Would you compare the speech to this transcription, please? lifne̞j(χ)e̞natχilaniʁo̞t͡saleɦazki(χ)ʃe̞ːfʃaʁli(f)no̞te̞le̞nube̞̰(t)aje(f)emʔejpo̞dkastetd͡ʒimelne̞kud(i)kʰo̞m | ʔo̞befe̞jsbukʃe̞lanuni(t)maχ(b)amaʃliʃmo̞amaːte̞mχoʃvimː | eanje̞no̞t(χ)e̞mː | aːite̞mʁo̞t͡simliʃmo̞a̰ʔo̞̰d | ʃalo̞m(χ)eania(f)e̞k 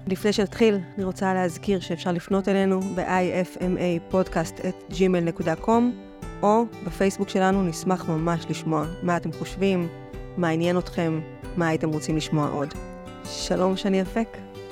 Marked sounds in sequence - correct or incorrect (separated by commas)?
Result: incorrect, incorrect, correct, incorrect, correct, incorrect, incorrect, incorrect, correct, incorrect, correct